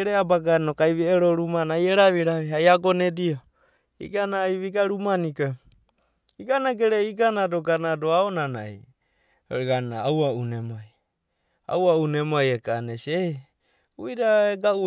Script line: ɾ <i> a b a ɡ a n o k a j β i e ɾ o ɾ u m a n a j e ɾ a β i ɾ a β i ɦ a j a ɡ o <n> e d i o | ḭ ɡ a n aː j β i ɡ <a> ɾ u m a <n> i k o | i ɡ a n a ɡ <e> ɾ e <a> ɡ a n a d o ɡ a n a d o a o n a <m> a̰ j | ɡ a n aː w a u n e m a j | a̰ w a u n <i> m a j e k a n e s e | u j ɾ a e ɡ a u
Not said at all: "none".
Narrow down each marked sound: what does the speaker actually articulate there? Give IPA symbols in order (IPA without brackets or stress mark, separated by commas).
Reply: e, n, a, n, e, i, n, e